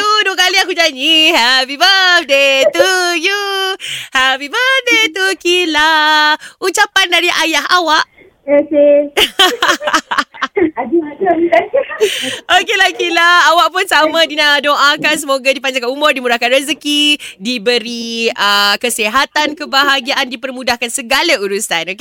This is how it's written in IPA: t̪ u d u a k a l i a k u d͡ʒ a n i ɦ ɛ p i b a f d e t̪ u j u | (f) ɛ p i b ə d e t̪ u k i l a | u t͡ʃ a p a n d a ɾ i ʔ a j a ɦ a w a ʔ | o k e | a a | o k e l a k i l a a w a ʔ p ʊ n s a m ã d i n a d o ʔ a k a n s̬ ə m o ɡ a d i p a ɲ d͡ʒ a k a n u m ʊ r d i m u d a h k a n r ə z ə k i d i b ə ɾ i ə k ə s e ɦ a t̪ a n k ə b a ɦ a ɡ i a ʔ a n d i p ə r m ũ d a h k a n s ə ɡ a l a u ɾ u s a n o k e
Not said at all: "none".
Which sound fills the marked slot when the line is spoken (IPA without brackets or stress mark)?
h